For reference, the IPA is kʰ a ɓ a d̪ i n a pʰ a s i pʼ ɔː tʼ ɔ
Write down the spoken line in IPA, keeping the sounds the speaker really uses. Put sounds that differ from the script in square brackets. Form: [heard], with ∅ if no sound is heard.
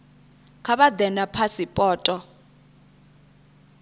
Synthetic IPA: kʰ a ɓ a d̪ [ɛ] n a pʰ a s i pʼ ɔː tʼ ɔ